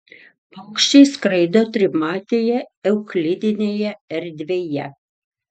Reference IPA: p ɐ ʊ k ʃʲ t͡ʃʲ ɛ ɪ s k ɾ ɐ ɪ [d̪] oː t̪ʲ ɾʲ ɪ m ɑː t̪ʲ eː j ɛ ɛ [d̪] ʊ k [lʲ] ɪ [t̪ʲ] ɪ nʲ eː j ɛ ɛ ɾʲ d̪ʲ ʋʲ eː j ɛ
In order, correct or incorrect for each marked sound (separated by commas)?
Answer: correct, incorrect, correct, incorrect